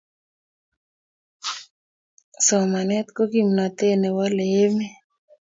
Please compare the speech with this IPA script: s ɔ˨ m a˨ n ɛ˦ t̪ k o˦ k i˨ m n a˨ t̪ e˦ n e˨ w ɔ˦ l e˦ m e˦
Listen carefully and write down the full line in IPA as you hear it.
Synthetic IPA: s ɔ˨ m a˨ n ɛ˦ t̪ k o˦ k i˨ m n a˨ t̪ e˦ n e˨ w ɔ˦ l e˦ m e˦